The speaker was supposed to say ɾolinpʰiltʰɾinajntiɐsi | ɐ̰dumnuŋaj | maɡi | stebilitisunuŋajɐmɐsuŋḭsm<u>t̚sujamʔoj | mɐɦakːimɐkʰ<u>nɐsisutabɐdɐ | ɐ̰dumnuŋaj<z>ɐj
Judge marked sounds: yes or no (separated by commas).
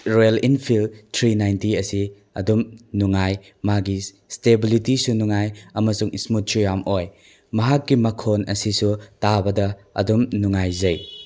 yes, no, yes